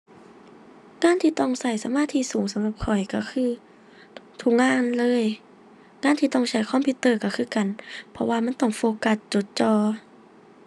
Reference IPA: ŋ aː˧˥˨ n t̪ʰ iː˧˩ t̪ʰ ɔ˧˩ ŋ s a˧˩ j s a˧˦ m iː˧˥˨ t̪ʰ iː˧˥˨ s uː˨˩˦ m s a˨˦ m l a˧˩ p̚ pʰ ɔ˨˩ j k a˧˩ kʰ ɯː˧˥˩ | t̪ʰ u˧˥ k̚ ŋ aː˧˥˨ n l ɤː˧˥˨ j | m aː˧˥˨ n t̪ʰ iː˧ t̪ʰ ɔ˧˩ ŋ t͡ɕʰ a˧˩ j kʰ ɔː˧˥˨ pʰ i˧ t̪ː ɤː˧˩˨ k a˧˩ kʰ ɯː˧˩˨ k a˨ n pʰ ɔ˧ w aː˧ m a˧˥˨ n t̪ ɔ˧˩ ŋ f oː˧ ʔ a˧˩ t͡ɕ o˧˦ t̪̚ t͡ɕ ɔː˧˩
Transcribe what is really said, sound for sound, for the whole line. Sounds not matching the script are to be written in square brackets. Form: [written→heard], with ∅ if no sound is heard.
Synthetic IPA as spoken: ŋ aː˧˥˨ n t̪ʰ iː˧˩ [t̪ʰ→t̪] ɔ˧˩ ŋ s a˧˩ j s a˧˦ m [iː˧˥˨→aː˧˥˨] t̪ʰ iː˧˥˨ s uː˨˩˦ [m→ŋ] s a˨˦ m l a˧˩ p̚ [pʰ→kʰ] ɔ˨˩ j k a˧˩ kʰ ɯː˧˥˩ | t̪ʰ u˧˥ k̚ ŋ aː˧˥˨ n l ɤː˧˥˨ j | [m→ŋ] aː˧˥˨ n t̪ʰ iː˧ [t̪ʰ→t̪] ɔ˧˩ ŋ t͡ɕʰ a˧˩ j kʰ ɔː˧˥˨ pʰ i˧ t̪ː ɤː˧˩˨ k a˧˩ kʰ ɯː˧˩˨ k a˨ n pʰ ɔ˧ w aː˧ m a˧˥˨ n t̪ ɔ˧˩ ŋ f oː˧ [ʔ→k] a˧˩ t͡ɕ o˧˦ t̪̚ t͡ɕ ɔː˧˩